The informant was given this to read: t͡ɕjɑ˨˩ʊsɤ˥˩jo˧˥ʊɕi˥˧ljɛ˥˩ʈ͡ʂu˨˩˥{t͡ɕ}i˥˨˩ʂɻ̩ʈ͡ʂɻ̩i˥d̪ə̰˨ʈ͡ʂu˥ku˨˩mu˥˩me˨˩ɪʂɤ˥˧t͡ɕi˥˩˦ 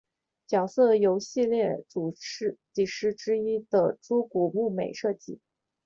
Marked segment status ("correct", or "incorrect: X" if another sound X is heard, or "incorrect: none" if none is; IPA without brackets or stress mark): correct